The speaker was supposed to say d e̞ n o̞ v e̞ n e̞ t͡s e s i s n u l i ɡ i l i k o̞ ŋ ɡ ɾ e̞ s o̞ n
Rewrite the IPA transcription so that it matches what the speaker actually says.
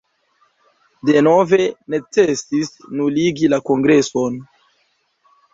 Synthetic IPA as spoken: d e̞ n o̞ v e̞ n e̞ t͡s e s i s n u l i ɡ i l a k o̞ ŋ ɡ ɾ e̞ s o̞ n